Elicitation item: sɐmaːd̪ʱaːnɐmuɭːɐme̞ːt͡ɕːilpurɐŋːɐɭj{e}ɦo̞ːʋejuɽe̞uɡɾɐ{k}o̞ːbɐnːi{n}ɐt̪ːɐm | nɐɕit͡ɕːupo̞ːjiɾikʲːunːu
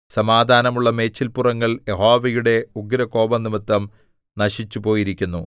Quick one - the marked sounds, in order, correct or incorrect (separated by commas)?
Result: correct, correct, incorrect